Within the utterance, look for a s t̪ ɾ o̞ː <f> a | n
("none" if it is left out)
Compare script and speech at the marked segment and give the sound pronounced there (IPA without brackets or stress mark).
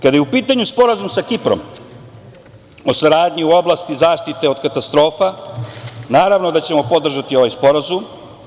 f